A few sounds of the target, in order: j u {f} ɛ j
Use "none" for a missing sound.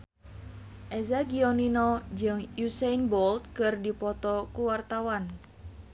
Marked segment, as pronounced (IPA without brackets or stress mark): s